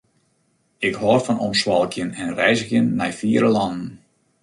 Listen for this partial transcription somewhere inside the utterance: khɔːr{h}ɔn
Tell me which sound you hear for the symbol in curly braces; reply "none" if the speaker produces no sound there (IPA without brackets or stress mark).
f